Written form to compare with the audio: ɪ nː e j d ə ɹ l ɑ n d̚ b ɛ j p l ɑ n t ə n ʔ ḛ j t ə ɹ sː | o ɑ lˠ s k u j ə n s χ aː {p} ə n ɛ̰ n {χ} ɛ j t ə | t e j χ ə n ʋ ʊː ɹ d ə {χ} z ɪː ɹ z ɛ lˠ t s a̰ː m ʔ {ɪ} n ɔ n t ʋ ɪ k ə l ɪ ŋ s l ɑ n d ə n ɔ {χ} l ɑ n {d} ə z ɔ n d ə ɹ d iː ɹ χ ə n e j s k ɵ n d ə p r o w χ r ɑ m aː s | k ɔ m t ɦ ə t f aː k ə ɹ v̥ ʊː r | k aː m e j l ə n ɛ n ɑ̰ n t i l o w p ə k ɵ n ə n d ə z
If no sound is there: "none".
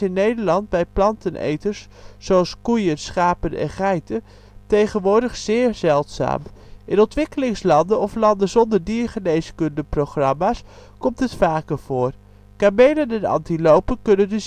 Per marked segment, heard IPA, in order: p, χ, χ, ɪ, f, d

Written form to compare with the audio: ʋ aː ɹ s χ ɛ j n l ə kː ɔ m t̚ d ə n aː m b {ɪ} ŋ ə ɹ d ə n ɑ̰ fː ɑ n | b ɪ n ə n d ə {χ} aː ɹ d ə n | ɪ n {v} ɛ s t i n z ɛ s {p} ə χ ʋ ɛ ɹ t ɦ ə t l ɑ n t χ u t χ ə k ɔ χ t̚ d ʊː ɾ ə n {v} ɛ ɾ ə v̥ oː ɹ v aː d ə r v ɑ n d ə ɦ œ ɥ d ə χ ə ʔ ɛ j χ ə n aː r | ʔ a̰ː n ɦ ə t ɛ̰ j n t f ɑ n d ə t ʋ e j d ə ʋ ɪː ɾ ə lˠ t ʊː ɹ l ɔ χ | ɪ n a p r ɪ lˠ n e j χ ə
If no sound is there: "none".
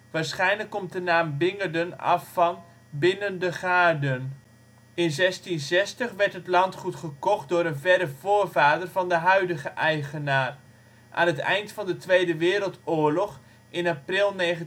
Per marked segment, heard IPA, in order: ɪ, χ, z, t, v

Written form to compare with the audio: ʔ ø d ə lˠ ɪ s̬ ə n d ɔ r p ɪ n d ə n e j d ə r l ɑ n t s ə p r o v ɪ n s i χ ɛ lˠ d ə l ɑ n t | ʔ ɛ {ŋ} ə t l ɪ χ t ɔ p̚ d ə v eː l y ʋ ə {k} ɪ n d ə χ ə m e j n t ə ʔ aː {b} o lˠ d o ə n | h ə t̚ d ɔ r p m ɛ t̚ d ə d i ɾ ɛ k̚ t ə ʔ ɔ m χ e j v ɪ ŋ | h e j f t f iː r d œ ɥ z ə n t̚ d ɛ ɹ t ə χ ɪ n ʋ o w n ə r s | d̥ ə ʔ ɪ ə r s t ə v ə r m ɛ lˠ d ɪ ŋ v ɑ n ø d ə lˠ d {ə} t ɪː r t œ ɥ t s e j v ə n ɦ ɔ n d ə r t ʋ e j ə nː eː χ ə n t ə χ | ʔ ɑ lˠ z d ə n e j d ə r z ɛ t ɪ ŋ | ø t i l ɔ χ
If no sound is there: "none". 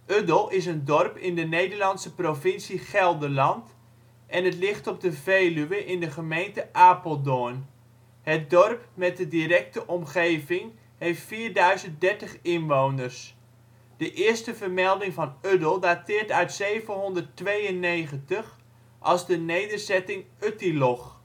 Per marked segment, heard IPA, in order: n, ʔ, p, a

